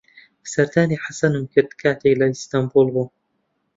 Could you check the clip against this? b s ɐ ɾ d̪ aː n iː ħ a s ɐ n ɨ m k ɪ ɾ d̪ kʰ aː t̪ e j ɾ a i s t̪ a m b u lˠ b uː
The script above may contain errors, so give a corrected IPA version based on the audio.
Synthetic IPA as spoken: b s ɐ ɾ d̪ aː n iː ħ a s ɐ n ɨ m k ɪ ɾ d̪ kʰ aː t̪ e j l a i s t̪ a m b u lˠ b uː